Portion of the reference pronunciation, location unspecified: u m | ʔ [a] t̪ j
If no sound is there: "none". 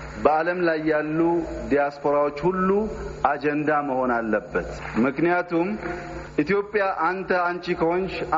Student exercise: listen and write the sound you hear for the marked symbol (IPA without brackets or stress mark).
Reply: i